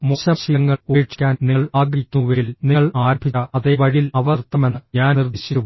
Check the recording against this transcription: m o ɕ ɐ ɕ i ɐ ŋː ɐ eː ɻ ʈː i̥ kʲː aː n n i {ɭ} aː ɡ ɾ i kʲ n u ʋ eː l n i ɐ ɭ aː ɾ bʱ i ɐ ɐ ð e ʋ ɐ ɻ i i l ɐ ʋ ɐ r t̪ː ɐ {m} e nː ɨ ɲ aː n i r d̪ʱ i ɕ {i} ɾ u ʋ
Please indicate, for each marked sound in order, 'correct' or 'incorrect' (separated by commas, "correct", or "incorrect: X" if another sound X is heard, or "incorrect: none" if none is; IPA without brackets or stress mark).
correct, correct, correct